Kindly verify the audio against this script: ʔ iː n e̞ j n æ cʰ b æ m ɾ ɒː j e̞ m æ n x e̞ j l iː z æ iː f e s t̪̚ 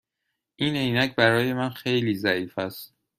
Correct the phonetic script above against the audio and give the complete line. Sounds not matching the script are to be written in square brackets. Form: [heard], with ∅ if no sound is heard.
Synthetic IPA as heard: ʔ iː n e̞ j n æ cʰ b æ [∅] ɾ ɒː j e̞ m æ n x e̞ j l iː z æ iː f [æ] s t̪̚